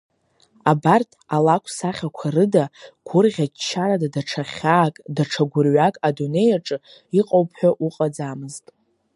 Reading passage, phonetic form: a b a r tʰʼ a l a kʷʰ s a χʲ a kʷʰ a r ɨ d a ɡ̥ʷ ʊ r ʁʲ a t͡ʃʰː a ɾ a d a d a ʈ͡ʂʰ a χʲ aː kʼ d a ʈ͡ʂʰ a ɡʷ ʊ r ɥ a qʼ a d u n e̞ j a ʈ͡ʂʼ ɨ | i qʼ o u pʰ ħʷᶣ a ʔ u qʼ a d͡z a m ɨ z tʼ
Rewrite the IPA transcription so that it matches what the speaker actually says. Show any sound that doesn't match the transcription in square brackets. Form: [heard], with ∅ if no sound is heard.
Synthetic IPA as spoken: a b a r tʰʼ a l a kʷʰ s a χʲ a kʷʰ a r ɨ d a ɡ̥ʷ ʊ r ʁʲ a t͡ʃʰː a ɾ a d a d a ʈ͡ʂʰ a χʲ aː kʼ d a ʈ͡ʂʰ a ɡʷ ʊ r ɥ a [kʼ] a d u n e̞ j a ʈ͡ʂʼ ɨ | i qʼ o [w] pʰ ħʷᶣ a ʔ u qʼ a d͡z a m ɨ z tʼ